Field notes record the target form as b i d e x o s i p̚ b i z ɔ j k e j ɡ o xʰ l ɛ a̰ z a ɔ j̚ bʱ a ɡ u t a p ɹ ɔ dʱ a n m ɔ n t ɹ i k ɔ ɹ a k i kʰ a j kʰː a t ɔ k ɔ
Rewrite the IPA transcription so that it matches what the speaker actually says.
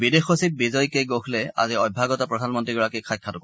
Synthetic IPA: b i d e x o s i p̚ b i z ɔ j k e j ɡ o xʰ l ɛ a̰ z i ɔ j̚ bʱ a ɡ ɔ t a p ɹ ɔ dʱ a n m ɔ n t ɹ i ɡ ɔ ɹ a k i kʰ a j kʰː a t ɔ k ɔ